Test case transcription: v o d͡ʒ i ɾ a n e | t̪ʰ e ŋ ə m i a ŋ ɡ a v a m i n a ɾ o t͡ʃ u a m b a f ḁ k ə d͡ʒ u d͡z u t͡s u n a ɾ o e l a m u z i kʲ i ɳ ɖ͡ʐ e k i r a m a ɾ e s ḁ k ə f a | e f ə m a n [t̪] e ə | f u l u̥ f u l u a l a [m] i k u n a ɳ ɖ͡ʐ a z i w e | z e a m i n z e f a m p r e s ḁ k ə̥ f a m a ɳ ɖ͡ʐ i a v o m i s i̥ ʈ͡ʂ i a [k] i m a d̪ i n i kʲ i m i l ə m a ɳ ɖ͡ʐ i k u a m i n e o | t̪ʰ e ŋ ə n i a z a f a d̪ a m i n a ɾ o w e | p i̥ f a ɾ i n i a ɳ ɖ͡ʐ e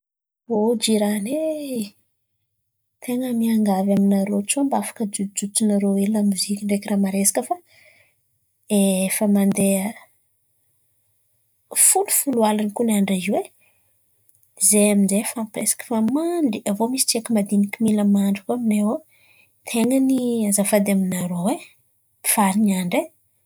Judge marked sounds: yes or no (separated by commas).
no, no, yes